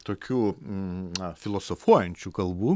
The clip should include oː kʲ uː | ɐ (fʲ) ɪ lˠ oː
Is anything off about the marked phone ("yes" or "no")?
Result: no